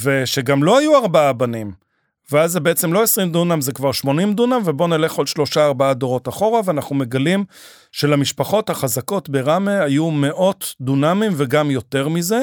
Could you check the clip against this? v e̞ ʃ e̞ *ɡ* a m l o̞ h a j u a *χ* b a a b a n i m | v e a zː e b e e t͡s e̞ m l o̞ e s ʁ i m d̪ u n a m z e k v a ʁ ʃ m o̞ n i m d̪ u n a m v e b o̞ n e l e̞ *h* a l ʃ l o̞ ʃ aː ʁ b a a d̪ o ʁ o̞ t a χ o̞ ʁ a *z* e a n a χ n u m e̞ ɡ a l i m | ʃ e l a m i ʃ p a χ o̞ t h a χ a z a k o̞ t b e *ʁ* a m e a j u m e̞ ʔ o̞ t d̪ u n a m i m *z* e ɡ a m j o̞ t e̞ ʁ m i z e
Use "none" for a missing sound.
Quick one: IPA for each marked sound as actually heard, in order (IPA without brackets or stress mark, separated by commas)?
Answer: ɡ, ʁ, χ, v, ʁ, v